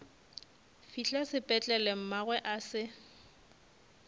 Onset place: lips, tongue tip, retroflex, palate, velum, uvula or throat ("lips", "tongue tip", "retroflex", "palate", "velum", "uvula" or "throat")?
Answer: lips